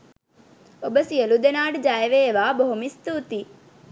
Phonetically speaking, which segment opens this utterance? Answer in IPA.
o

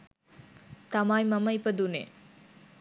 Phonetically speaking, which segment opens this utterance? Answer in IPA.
t̪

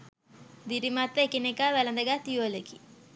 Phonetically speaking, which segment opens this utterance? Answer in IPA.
d̪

